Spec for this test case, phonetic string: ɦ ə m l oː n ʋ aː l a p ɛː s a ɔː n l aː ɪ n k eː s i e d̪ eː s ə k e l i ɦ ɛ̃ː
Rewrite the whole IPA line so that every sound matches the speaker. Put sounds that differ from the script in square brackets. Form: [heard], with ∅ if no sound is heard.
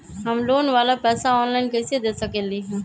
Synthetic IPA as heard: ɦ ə m l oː n ʋ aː l a p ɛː s a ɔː n l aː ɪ n k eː s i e d̪ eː s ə k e l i ɦ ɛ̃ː